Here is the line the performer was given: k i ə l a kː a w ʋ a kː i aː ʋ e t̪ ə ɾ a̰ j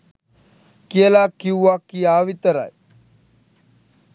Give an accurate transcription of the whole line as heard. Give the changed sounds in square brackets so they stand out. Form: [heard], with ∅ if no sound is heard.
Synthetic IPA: k i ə l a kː [i] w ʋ a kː i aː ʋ [i] t̪ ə ɾ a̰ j